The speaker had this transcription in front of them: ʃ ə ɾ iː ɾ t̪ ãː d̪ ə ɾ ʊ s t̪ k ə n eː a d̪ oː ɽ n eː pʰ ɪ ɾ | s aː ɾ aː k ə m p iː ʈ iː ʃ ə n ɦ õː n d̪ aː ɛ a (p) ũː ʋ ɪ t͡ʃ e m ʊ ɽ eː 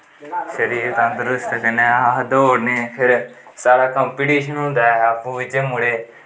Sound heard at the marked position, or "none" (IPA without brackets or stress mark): p